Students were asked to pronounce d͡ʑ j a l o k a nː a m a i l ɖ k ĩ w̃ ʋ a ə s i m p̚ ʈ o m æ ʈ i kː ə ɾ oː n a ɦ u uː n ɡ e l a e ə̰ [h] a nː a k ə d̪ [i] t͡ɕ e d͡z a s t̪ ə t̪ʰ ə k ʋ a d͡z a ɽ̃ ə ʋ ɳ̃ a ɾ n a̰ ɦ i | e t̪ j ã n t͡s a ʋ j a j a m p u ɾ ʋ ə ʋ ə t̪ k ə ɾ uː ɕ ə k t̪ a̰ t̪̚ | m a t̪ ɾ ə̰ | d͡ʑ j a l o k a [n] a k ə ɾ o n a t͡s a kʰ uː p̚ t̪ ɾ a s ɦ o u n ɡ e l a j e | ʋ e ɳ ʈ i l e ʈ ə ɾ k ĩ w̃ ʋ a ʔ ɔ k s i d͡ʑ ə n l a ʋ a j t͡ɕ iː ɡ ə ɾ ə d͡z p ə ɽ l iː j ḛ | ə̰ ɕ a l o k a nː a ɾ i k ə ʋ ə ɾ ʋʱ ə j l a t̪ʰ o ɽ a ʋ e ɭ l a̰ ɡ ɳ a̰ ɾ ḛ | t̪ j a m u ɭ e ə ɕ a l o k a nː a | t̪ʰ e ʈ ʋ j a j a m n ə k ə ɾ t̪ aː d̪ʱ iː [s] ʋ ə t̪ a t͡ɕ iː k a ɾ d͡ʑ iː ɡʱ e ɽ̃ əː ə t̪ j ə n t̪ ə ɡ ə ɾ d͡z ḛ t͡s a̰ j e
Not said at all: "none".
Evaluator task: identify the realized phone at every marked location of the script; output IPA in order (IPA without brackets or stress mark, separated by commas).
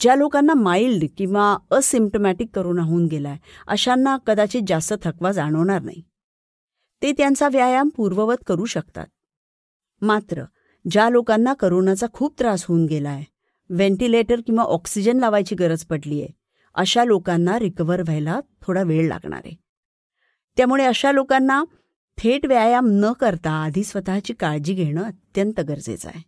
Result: ɕ, a, nː, s